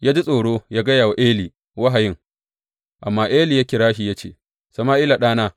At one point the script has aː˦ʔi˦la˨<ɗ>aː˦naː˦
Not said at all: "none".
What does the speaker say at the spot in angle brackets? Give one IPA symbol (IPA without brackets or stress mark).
ɗ